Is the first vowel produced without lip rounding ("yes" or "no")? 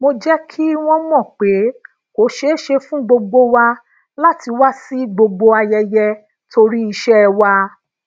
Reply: no